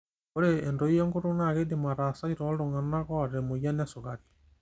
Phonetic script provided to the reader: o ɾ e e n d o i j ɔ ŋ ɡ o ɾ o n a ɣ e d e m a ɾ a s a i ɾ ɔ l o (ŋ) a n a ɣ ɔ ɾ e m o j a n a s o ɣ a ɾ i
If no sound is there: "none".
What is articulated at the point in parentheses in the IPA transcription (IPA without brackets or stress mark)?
ŋ